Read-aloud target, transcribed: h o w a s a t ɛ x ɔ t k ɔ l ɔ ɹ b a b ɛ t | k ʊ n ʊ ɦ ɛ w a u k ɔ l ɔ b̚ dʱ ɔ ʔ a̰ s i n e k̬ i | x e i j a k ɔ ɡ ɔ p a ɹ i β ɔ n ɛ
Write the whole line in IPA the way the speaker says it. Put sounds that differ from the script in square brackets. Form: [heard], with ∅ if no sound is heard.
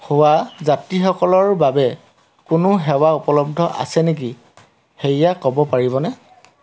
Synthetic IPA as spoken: h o w a [z] a t [i] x ɔ [∅] k ɔ l ɔ ɹ b a b ɛ [∅] | k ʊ n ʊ ɦ ɛ w a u [p] ɔ l ɔ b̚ dʱ ɔ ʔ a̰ s [ɛ] n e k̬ i | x e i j a k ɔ [b] ɔ p a ɹ i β ɔ n ɛ

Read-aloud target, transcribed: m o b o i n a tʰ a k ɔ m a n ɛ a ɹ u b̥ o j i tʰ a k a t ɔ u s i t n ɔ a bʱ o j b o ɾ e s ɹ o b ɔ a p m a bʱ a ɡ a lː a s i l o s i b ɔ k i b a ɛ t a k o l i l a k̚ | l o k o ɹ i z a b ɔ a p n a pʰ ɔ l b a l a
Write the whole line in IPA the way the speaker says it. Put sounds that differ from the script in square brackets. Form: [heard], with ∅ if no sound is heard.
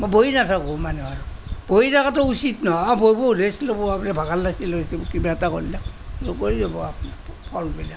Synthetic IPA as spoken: m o b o i n a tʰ a k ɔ m a n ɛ a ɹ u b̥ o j i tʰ a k a t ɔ u s i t n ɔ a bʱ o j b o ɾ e s [l] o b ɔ a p [n] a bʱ a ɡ a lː a s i l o s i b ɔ k i b a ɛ t a k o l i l a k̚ | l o k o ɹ i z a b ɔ a p n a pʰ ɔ l b [i] l a

